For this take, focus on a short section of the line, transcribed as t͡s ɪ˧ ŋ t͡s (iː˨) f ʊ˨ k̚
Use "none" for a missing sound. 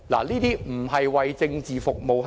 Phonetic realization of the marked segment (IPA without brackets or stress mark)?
iː˨